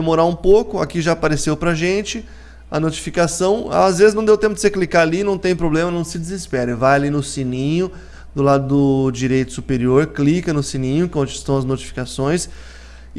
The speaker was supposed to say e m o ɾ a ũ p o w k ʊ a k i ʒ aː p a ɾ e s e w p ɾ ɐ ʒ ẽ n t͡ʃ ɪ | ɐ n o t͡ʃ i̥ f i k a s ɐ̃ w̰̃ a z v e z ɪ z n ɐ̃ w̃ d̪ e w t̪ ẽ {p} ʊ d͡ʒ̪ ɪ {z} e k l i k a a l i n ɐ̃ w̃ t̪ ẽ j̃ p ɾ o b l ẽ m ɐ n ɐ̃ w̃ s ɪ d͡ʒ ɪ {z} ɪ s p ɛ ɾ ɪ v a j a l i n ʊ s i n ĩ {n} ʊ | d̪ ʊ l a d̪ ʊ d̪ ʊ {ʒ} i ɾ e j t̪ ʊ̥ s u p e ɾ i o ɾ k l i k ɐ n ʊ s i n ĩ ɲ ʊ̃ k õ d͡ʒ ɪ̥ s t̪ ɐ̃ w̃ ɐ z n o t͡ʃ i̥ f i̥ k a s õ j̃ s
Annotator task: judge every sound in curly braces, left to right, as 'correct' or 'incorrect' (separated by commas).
correct, incorrect, correct, incorrect, incorrect